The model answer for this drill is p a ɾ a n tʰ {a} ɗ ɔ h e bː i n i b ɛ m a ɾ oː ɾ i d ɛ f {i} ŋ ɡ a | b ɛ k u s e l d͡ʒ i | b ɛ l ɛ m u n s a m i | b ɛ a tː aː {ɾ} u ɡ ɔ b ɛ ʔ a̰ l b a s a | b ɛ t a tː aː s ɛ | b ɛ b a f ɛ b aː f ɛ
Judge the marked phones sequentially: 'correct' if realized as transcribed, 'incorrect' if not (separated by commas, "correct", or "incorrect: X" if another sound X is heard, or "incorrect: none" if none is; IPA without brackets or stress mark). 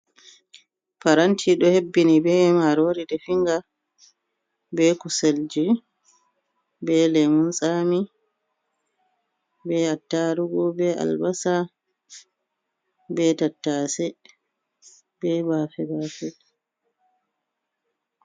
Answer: incorrect: i, correct, correct